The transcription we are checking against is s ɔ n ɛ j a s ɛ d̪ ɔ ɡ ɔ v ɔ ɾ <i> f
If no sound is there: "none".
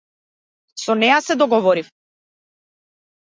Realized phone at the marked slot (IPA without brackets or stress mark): i